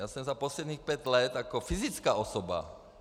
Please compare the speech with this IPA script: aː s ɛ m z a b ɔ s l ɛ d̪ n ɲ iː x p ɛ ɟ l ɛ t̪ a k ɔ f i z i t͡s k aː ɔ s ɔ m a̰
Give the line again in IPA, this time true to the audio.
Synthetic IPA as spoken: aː s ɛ m z a p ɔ s l ɛ d̪ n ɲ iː x p ɛ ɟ l ɛ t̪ a k ɔ f i z i t͡s k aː ɔ s ɔ b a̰